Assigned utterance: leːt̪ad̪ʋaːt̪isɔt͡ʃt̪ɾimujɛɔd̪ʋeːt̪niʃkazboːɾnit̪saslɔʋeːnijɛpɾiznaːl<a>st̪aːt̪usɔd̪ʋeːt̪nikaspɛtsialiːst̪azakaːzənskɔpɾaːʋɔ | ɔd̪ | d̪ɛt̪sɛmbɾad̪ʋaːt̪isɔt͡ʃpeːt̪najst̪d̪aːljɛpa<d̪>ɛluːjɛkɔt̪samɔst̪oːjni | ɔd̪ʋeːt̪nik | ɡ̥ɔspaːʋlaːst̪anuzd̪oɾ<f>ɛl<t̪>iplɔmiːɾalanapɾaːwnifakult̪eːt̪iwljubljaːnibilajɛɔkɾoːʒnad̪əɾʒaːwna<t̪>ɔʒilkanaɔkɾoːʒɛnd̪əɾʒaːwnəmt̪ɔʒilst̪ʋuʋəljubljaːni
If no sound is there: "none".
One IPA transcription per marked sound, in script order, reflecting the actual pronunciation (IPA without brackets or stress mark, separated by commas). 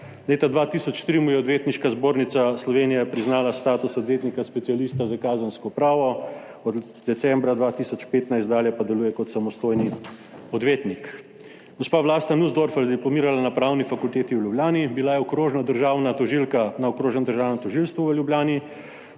a, d̪, f, d̪, t̪